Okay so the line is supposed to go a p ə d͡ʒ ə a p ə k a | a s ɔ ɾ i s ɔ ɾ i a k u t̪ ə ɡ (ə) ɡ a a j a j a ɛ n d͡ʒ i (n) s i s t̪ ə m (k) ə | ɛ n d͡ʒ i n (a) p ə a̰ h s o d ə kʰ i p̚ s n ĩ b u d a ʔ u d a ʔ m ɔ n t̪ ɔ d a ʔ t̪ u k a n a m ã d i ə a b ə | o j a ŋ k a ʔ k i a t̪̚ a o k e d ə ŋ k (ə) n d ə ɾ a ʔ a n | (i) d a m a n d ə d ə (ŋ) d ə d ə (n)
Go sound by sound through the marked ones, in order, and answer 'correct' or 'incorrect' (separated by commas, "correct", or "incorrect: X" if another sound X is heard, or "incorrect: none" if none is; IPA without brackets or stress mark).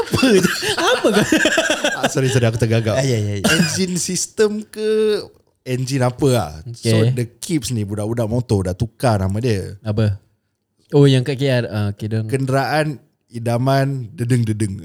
incorrect: a, correct, correct, correct, correct, correct, correct, incorrect: ŋ